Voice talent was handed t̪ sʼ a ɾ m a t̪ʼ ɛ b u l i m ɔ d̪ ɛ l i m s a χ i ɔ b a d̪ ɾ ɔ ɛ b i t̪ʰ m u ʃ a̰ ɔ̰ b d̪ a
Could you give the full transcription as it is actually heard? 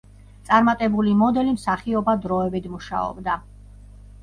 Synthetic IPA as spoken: t̪ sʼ a ɾ m a t̪ʼ ɛ b u l i m ɔ d̪ ɛ l i m s a χ i ɔ b a d̪ ɾ ɔ ɛ b i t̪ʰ m u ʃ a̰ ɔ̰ b d̪ a